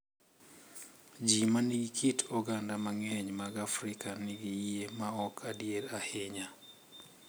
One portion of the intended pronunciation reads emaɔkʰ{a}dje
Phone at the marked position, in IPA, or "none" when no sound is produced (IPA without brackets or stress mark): a